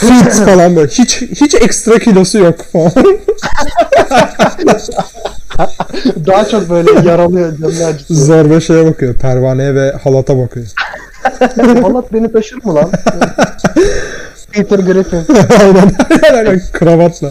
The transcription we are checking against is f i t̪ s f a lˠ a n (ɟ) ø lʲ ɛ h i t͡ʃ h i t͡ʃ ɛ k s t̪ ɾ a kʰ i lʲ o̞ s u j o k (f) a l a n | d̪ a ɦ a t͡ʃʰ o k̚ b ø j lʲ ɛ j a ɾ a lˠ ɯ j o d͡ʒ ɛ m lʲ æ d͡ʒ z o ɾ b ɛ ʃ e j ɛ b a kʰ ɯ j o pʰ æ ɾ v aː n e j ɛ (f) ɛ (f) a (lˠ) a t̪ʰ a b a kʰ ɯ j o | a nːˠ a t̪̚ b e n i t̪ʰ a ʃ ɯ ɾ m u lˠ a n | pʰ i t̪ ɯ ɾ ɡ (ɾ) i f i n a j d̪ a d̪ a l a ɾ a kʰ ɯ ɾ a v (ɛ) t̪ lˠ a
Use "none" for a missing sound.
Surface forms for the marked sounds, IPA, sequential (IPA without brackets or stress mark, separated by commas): b, f, v, h, lˠ, ɾ, a